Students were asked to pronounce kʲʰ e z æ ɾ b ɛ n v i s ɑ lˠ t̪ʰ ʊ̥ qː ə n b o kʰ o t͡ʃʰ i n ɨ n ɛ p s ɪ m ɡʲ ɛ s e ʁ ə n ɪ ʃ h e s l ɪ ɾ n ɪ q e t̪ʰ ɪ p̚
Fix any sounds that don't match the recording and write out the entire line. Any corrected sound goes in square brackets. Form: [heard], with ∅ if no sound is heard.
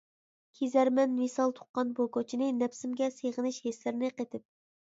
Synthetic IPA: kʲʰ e z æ ɾ [m] ɛ n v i s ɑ lˠ t̪ʰ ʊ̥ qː [ɑ] n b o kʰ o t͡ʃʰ i n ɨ n ɛ p s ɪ m ɡʲ ɛ s e ʁ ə n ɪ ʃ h e s l ɪ ɾ n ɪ q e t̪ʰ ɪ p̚